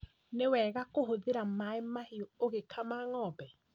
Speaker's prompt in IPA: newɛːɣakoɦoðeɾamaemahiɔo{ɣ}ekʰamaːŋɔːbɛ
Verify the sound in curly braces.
correct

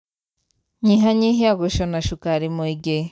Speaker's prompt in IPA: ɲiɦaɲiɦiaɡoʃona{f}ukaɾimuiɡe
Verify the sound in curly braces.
incorrect: ʃ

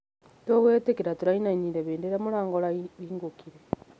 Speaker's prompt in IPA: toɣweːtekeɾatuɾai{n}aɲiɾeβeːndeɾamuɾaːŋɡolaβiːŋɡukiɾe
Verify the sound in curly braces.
correct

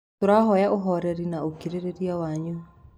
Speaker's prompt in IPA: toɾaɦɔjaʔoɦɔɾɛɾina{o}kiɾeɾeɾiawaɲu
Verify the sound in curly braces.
correct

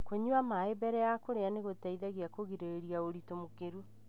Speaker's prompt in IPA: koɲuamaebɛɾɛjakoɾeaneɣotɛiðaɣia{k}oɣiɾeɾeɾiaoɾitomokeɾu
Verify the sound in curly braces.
correct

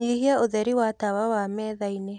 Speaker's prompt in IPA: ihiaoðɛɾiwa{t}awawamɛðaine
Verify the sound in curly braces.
correct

